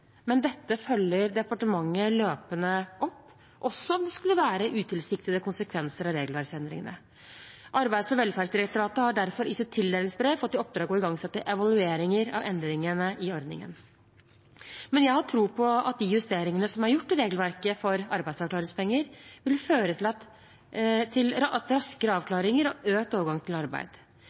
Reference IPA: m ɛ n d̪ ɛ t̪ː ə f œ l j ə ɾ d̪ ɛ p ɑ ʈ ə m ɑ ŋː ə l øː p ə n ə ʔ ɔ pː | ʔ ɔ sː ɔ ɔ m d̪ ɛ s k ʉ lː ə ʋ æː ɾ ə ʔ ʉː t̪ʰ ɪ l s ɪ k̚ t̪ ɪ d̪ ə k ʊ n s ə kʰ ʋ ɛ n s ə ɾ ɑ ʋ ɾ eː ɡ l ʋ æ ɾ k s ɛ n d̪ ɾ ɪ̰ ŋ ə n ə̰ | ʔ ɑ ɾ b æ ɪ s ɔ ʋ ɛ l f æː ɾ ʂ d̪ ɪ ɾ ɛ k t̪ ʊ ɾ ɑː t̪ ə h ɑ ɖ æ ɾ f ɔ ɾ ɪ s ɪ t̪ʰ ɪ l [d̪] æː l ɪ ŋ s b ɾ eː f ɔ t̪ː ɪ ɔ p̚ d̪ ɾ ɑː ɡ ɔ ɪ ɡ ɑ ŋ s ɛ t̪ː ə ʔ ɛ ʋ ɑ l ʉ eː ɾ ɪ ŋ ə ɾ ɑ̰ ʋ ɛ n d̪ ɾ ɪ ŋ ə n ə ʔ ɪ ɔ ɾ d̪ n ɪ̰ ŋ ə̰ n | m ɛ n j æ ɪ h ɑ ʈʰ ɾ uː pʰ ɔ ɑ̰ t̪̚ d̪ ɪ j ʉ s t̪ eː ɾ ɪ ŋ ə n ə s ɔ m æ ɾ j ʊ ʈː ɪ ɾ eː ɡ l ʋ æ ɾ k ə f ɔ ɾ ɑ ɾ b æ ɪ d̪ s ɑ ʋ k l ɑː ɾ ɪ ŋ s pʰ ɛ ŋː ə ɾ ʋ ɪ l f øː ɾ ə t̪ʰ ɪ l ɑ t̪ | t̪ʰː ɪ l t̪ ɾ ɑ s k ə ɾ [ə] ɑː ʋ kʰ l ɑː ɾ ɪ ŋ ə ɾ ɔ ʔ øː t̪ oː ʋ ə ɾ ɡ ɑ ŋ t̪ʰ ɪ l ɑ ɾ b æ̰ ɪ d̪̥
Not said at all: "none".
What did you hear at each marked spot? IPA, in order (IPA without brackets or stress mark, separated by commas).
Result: d̪, ə